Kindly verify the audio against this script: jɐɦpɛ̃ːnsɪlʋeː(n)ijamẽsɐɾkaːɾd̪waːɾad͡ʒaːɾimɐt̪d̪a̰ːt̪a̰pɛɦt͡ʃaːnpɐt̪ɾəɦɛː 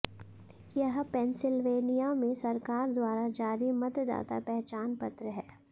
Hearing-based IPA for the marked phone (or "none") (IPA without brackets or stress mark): n